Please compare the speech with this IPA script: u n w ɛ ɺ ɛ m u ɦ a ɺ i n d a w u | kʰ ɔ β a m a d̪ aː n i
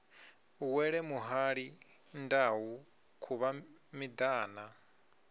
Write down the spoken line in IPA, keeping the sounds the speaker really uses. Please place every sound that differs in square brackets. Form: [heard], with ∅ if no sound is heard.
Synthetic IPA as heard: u [∅] w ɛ ɺ ɛ m u ɦ a ɺ i n d a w u | kʰ [u] β a m [i] d̪ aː n [a]